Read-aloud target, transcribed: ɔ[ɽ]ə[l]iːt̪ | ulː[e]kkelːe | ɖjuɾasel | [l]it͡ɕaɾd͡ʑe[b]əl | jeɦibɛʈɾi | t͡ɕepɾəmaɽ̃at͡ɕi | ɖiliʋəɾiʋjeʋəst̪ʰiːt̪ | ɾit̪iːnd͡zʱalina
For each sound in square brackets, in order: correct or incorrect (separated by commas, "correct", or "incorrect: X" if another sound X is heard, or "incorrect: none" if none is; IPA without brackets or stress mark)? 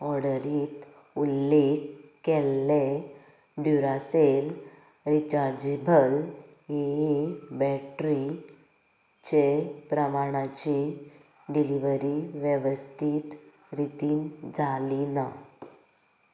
correct, incorrect: ɾ, correct, incorrect: ɾ, correct